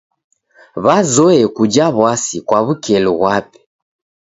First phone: β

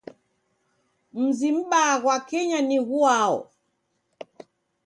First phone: m̩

